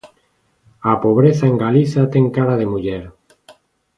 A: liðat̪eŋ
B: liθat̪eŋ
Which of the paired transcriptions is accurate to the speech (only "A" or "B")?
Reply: B